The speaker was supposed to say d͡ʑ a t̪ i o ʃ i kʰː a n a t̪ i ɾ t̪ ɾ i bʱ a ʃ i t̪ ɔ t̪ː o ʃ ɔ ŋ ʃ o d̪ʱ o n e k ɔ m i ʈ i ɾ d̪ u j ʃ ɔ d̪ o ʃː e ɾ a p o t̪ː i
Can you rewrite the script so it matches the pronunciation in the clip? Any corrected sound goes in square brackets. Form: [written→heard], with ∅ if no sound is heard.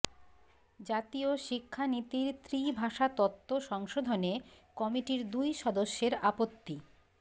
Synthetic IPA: d͡ʑ a t̪ i o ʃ i kʰː a n [a→i] t̪ i ɾ t̪ ɾ i bʱ a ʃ [i→a] t̪ ɔ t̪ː o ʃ ɔ ŋ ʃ o d̪ʱ o n e k ɔ m i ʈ i ɾ d̪ u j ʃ ɔ d̪ o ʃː e ɾ a p o t̪ː i

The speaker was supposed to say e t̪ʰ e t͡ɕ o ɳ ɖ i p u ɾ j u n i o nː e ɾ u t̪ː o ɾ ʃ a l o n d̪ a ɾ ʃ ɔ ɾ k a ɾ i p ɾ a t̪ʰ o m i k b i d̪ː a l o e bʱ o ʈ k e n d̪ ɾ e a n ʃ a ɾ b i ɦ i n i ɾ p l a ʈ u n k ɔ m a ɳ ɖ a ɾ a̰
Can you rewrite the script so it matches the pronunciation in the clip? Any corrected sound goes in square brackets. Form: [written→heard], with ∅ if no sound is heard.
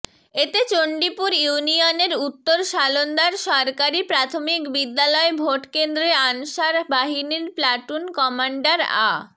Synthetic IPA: e [t̪ʰ→t̪] e t͡ɕ o ɳ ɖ i p u ɾ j u n i o [nː→n] e ɾ u t̪ː o ɾ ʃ a l o n d̪ a ɾ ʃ ɔ ɾ k a ɾ i p ɾ a t̪ʰ o m i k b i d̪ː a l [o→ɔ] e bʱ o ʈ k e n d̪ ɾ e a n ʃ a ɾ b [i→a] ɦ i n i ɾ p l a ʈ u n k ɔ m a ɳ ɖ a ɾ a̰

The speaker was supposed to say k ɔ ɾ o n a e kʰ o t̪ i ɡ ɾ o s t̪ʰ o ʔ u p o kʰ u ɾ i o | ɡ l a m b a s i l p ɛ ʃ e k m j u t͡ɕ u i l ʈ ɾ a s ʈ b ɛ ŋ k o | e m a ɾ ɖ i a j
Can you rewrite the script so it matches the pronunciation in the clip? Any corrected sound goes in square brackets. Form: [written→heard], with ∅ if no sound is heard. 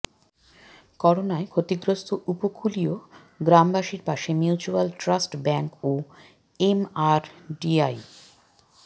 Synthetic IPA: k ɔ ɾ o n a e kʰ o t̪ i ɡ ɾ o s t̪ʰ o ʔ u p o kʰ u [ɾ→l] i o | ɡ [l→ɾ] a m b a [s→ʃ] i [l→ɾ] p [ɛ→a] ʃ e [k→∅] m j u t͡ɕ u [i→a] l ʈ ɾ a s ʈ b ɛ ŋ k o | e m a ɾ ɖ i a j

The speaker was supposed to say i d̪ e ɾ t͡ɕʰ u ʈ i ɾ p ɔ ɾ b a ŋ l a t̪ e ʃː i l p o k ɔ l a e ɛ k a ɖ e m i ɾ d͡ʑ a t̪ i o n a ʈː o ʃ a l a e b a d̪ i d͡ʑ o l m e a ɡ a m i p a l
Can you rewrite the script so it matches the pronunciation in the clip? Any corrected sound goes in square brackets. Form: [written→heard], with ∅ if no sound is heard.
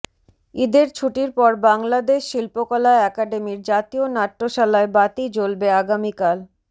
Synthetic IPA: i d̪ e ɾ t͡ɕʰ u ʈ i ɾ p ɔ ɾ b a ŋ l a [t̪→d̪] e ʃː i l p o k ɔ l a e ɛ k a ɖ e m i ɾ d͡ʑ a t̪ i o n a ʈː o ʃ a l a e b a [d̪→t̪] i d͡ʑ o l [m→b] e a ɡ a m i [p→k] a l

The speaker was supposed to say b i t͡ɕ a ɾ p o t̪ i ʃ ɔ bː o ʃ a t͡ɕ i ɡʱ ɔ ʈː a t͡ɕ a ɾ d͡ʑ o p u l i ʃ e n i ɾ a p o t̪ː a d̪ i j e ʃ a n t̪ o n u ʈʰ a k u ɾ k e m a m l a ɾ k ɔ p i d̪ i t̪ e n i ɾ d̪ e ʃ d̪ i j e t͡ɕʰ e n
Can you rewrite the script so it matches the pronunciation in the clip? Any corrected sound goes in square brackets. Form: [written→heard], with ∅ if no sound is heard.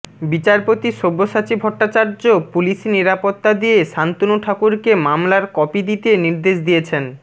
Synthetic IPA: b i t͡ɕ a ɾ p o t̪ i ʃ [ɔ→o] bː o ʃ a t͡ɕ i [ɡʱ→bʱ] ɔ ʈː a t͡ɕ a ɾ d͡ʑ o p u l i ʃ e n i ɾ a p o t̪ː a d̪ i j e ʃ a n t̪ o n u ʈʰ a k u ɾ k e m a m l a ɾ k ɔ p i d̪ i t̪ e n i ɾ d̪ e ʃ d̪ i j e t͡ɕʰ e n

